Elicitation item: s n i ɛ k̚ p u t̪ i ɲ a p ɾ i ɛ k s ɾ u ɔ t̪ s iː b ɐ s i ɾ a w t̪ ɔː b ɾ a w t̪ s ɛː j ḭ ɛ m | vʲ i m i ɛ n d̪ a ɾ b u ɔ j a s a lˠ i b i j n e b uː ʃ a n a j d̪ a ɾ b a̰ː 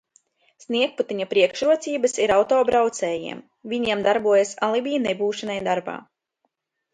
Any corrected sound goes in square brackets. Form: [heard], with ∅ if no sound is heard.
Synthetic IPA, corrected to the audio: s n i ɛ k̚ p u t̪ i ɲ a p ɾ i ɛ k [ʃ] ɾ u ɔ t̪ s iː b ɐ s i ɾ a w t̪ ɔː b ɾ a w t̪ s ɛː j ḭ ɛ m | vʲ i [ɲ] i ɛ [m] d̪ a ɾ b u ɔ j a s a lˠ i b i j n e b uː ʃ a n a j d̪ a ɾ b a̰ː